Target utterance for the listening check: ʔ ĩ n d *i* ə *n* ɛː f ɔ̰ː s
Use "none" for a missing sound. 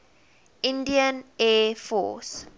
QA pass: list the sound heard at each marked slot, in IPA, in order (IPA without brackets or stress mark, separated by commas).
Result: i, n